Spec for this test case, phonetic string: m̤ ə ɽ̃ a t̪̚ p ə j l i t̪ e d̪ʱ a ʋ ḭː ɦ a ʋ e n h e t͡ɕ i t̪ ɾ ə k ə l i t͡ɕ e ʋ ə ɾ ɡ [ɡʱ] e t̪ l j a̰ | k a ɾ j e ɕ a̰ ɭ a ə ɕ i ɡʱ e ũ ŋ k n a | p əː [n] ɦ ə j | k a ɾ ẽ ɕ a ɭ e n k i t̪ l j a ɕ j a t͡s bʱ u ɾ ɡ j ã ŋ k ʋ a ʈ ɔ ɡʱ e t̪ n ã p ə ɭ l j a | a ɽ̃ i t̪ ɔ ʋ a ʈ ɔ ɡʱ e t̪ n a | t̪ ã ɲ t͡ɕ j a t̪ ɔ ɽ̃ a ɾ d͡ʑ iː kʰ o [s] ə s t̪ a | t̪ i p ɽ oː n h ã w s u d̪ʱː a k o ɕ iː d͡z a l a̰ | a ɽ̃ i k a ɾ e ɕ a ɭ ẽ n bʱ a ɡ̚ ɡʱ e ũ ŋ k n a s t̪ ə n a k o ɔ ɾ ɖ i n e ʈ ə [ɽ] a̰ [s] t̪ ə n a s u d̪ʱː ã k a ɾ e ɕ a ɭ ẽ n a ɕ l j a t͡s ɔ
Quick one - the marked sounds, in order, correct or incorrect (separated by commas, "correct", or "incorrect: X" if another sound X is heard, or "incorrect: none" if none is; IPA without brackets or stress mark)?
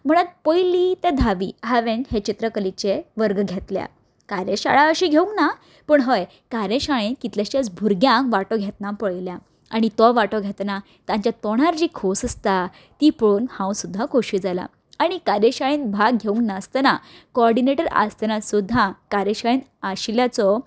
correct, incorrect: ɳ, correct, incorrect: ɾ, correct